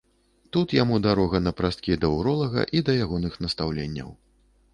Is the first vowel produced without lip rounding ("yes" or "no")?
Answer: no